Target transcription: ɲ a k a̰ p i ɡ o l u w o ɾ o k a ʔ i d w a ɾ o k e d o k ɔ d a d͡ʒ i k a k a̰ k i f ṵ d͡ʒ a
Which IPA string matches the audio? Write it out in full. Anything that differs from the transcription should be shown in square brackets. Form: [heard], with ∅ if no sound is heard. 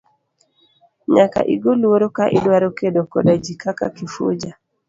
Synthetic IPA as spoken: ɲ a k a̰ [ʔ] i ɡ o l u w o ɾ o k a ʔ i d w a ɾ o k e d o k ɔ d a d͡ʒ i k a k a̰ k i f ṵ d͡ʒ a